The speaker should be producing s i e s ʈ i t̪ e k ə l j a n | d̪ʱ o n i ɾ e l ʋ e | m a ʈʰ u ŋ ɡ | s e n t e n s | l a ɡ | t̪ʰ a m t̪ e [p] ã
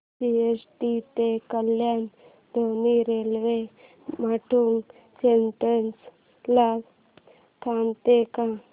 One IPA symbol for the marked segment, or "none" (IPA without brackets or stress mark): k